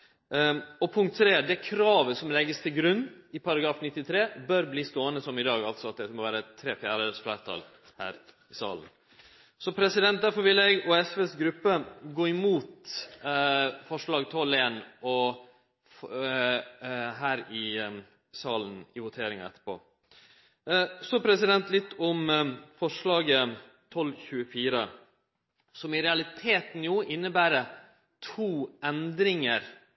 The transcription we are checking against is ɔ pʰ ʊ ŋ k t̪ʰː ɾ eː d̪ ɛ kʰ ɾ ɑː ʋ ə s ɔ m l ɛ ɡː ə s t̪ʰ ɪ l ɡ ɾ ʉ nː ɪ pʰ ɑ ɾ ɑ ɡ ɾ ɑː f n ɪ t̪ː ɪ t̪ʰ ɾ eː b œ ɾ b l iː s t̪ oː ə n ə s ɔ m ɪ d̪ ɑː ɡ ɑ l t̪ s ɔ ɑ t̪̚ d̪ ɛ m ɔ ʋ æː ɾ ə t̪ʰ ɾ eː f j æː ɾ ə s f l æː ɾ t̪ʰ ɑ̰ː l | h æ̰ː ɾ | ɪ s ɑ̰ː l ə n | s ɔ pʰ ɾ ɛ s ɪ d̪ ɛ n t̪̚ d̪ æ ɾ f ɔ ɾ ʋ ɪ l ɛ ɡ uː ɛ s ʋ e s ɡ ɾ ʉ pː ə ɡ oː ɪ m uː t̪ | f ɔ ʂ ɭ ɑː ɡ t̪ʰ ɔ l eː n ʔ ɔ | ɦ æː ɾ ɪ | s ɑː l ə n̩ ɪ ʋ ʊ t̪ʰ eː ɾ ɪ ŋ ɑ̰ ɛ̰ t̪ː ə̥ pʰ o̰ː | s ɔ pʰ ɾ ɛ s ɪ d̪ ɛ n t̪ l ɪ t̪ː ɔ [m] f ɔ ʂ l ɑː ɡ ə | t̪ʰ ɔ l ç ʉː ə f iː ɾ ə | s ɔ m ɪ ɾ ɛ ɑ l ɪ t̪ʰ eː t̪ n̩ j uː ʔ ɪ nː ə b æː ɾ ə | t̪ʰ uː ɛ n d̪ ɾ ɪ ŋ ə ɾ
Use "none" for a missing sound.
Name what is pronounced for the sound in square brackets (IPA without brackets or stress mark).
m